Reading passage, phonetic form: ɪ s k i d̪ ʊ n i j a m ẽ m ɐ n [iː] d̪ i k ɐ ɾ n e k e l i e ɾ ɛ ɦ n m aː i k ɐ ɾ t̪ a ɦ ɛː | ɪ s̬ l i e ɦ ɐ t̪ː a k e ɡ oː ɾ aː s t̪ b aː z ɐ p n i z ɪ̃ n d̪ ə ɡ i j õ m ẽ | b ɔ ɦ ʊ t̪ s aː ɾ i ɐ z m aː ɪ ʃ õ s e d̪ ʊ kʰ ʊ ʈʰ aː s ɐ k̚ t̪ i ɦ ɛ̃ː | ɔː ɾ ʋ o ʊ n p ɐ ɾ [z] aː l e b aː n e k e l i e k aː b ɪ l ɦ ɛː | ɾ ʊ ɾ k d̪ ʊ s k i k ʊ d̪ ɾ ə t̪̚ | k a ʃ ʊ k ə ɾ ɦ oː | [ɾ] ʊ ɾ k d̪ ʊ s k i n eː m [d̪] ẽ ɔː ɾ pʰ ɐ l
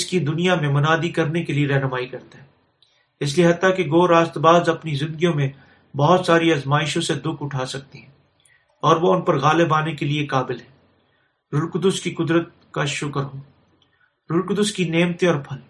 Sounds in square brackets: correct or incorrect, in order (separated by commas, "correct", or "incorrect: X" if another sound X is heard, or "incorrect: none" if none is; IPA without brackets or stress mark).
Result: incorrect: aː, incorrect: ɣ, correct, incorrect: t̪